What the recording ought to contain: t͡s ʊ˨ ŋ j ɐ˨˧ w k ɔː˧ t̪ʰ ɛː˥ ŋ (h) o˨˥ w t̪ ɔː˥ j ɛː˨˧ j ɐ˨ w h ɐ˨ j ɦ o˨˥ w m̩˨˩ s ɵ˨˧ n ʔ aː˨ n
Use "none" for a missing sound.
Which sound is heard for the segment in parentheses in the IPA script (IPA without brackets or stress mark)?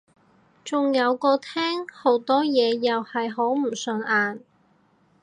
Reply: h